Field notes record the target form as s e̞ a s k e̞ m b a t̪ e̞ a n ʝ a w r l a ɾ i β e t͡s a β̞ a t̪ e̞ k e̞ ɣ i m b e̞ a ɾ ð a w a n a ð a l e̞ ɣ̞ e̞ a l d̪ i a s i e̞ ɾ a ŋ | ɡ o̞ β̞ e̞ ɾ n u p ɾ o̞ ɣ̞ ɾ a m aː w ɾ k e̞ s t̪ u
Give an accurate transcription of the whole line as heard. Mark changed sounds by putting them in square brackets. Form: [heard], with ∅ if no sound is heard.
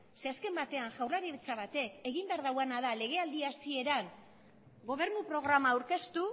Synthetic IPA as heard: s e̞ a s k e̞ m b a t̪ e̞ a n ʝ a w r l a ɾ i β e t͡s a β̞ a t̪ e̞ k e̞ ɣ i m b e̞ a ɾ ð a w a n a ð a l e̞ ɣ̞ e̞ a l d̪ i a s i e̞ ɾ a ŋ | ɡ o̞ β̞ e̞ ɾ n u p ɾ o̞ ɣ̞ ɾ a m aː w ɾ k e̞ s t̪ u